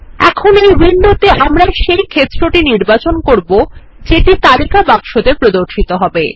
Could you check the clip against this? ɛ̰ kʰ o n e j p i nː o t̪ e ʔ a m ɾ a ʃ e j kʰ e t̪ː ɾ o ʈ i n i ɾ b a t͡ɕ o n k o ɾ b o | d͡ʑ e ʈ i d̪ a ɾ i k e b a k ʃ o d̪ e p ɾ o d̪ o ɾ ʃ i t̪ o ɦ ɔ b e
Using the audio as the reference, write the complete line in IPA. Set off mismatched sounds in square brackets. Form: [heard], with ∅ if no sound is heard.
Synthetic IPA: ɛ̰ kʰ o n e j [b] i nː o t̪ e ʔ a m ɾ a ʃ e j kʰ e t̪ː ɾ o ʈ i n i ɾ b a t͡ɕ o n k o ɾ b o | d͡ʑ e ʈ i [t̪] a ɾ i k [a] b a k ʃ o d̪ e p ɾ o d̪ o ɾ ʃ i t̪ o ɦ ɔ b e